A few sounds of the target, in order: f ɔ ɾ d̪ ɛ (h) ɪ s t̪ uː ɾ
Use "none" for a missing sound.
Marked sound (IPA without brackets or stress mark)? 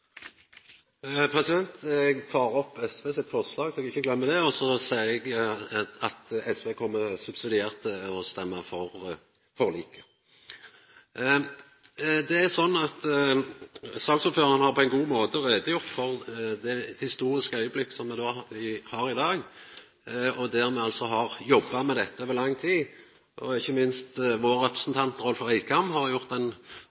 h